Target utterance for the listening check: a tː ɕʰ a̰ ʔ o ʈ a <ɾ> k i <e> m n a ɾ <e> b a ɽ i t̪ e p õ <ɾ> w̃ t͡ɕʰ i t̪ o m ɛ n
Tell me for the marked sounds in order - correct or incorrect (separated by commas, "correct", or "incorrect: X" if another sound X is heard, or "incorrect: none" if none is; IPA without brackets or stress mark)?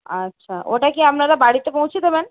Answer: incorrect: none, incorrect: a, incorrect: a, incorrect: none